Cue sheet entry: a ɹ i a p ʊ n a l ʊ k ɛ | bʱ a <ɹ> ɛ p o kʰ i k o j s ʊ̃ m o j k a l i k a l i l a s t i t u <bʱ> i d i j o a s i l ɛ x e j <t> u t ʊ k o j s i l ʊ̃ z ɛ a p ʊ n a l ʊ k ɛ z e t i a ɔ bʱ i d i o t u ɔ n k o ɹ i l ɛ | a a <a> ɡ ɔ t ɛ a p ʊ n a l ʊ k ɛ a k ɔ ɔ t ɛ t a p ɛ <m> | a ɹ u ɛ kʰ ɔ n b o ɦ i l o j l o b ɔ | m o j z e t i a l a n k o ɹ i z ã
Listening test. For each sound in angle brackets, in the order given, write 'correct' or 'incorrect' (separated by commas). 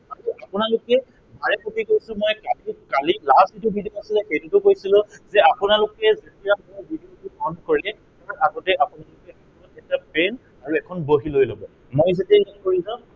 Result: correct, correct, correct, correct, incorrect